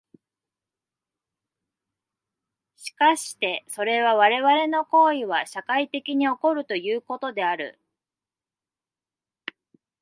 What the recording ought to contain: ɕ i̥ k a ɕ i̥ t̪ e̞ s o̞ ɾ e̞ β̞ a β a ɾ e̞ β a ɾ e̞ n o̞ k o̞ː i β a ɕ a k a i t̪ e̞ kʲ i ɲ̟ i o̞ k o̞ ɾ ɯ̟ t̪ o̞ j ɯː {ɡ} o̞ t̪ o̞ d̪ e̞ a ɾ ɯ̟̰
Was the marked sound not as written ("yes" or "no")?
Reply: yes